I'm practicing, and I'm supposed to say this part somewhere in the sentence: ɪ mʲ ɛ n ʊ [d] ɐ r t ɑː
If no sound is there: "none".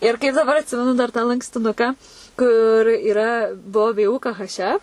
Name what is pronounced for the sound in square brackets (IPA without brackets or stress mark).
d